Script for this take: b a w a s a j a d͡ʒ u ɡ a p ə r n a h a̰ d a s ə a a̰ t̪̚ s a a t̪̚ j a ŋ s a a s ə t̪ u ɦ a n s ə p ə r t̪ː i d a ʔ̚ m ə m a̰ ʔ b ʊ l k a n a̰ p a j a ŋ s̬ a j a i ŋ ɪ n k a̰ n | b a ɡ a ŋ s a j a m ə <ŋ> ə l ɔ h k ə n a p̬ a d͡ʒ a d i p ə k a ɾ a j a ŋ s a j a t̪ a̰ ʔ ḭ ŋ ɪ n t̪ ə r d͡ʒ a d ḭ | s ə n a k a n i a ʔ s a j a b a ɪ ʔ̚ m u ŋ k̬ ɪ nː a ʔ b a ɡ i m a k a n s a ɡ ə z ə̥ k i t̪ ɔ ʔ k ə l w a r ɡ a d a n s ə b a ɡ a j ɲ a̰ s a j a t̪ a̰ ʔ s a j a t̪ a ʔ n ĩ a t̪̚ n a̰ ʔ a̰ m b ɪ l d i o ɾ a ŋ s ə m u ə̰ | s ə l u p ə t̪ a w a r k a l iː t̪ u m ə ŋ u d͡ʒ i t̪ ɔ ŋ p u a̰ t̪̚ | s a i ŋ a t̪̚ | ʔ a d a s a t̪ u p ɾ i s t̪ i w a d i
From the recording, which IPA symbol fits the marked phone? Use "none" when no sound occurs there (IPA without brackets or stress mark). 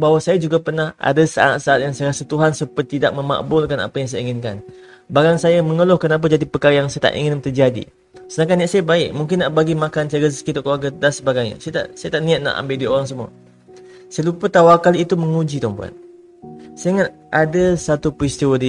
ŋ